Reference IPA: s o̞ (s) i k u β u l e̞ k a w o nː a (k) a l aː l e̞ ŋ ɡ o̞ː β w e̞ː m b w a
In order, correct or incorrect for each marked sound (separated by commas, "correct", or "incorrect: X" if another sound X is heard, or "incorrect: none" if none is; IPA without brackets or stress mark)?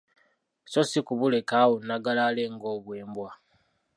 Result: correct, incorrect: ɡ